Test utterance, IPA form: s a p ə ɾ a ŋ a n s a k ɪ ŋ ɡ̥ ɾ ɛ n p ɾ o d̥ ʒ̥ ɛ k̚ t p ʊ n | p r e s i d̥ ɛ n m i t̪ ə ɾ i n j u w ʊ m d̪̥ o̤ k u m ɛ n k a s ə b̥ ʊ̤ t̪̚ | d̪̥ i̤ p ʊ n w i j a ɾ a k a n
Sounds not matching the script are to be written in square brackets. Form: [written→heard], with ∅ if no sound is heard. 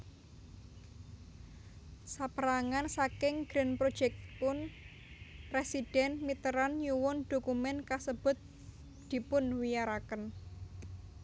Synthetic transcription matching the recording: s a p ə ɾ a ŋ a n s a k ɪ ŋ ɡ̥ ɾ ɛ n p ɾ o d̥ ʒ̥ ɛ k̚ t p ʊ n | p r e s i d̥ ɛ n m i t̪ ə ɾ [i→a] n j u w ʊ [m→n] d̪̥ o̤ k u m ɛ n k a s ə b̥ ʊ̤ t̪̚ | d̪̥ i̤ p ʊ n w i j a ɾ a k [a→ə] n